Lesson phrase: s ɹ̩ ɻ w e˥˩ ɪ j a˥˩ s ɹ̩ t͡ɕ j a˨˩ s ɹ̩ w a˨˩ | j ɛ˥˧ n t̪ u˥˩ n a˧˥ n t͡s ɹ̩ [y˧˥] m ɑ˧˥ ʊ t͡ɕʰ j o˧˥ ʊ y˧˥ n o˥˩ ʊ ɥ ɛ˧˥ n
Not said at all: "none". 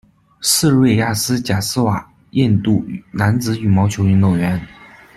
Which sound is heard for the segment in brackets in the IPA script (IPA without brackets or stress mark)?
y˨˩